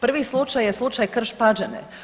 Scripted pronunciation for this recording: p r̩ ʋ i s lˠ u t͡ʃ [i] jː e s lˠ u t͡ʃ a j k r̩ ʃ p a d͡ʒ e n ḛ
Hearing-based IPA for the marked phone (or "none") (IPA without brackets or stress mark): a